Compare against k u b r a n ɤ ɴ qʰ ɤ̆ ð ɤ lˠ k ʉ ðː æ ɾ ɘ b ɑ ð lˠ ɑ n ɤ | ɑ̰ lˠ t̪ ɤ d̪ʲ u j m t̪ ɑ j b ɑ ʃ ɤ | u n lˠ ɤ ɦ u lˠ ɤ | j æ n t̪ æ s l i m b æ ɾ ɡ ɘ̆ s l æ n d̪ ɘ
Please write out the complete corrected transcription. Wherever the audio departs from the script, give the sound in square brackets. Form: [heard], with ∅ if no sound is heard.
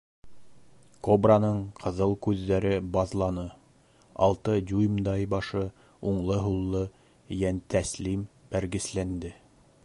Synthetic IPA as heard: k [o] b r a n ɤ ɴ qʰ ɤ̆ ð ɤ lˠ k ʉ ðː æ ɾ ɘ b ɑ ð lˠ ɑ n ɤ | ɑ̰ lˠ t̪ ɤ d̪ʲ u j m [d̪] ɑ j b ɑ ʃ ɤ | u [ɴ] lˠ ɤ ɦ u [lˠː] ɤ | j æ n t̪ æ s l i m b æ ɾ ɡ ɘ̆ s l æ n d̪ ɘ